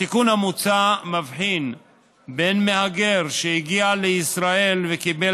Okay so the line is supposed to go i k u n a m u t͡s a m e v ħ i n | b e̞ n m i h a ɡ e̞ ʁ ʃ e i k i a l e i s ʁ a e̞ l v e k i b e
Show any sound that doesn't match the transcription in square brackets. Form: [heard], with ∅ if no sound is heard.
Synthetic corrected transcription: i k u n a m u t͡s a m [a] v ħ i n | b e̞ n m [e] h a ɡ e̞ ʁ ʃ e i [ɡ] i a l e i s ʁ a e̞ l v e k i b e